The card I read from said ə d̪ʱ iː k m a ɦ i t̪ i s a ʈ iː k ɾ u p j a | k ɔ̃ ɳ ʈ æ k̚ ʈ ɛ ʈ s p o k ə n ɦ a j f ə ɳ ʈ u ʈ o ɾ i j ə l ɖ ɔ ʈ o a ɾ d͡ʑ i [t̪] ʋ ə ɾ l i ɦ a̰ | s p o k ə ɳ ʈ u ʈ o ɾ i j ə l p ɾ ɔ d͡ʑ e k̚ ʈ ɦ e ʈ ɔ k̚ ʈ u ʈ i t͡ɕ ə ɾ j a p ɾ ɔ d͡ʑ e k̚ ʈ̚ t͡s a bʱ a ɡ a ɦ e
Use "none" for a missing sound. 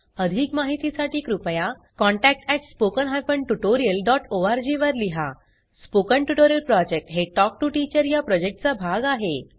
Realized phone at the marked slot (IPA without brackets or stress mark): none